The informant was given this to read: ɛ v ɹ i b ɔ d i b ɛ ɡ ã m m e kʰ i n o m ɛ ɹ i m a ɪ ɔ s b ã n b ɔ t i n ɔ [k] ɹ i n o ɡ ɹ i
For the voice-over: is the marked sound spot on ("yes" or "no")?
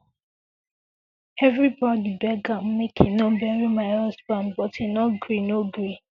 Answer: no